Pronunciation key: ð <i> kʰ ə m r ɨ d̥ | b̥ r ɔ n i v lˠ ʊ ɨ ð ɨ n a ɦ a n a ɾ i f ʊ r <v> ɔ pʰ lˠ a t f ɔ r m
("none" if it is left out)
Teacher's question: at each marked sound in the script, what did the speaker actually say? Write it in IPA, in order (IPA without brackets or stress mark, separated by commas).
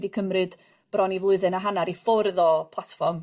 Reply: i, ð